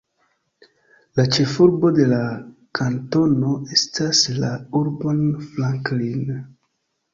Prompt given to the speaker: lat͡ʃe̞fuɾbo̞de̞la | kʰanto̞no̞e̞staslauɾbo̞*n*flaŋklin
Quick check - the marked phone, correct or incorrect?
correct